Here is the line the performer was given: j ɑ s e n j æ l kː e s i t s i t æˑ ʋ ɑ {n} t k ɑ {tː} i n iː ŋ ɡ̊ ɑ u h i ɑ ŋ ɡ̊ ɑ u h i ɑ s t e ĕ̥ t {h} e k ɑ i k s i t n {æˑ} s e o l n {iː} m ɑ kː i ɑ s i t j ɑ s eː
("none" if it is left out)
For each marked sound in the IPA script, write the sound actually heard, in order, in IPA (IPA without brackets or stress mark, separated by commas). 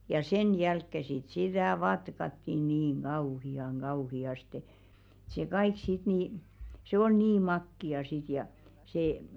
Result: none, tː, s, iˑ, iː